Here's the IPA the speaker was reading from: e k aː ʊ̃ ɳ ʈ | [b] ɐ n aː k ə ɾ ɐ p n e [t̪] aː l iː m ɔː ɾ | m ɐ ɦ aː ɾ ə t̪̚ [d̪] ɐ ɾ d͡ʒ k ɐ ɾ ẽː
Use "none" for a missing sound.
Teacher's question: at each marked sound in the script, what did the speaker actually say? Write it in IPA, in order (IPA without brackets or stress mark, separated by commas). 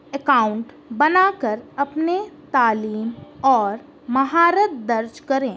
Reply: b, t̪, d̪